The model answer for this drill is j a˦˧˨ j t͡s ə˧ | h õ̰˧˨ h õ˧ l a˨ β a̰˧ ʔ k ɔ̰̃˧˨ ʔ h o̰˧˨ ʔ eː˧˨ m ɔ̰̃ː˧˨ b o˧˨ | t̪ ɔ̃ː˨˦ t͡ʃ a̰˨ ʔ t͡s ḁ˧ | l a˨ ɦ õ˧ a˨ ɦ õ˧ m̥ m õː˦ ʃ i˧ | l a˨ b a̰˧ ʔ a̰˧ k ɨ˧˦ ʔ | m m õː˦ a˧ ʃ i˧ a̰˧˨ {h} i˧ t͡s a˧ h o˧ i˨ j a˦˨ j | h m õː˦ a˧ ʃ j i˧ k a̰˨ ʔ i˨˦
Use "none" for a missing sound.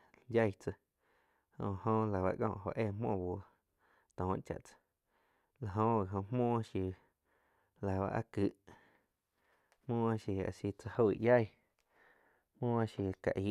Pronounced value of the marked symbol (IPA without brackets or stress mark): s